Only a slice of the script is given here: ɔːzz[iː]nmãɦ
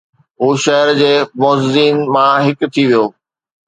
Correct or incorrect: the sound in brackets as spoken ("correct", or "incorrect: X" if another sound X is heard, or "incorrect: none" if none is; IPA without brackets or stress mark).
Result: correct